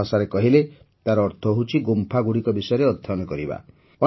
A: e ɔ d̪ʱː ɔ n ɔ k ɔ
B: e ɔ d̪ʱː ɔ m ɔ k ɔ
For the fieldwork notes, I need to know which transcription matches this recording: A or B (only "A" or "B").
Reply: A